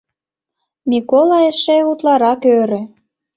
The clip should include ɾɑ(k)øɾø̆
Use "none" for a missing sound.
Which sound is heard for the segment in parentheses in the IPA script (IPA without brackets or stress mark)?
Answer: k